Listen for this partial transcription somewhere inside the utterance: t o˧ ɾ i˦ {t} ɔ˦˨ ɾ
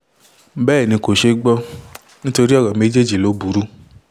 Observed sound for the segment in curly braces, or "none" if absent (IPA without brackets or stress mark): none